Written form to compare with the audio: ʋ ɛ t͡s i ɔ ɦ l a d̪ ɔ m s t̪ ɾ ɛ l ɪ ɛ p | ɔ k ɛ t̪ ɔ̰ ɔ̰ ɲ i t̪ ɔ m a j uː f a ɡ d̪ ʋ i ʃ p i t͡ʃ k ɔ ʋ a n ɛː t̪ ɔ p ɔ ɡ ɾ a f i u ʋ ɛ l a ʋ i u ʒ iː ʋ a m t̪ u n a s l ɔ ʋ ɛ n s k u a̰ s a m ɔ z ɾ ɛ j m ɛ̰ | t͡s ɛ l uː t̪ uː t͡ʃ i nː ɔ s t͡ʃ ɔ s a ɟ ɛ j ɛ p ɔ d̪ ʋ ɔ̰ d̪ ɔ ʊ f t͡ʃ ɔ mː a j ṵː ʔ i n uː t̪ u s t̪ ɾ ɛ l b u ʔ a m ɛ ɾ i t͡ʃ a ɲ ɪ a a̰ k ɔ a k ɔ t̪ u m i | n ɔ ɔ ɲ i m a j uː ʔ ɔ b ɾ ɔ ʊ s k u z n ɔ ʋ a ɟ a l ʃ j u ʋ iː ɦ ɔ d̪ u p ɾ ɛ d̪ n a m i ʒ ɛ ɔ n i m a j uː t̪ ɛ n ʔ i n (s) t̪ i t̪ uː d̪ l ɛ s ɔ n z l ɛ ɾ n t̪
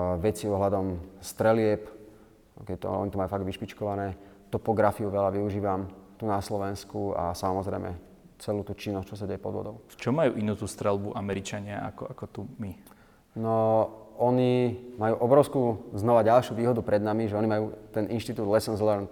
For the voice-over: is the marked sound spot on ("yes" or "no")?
no